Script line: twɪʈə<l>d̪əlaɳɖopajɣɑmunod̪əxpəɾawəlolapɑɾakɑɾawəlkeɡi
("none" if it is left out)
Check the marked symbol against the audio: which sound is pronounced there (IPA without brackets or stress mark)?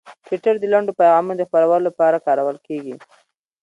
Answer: ɾ